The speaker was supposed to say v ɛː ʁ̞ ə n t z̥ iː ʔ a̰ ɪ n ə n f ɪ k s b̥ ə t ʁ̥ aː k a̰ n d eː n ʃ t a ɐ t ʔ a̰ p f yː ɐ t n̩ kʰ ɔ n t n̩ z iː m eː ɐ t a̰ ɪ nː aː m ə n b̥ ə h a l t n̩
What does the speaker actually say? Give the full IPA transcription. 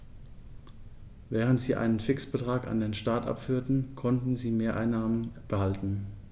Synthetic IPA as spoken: v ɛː ʁ̞ ə n t z̥ iː ʔ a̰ ɪ n ə n f ɪ k s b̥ ə t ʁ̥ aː k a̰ n d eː n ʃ t a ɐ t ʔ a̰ p f yː ɐ t n̩ kʰ ɔ n t n̩ z iː m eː ɐ ʔ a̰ ɪ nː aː m ə n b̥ ə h a l t n̩